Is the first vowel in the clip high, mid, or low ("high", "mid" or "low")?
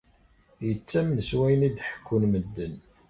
mid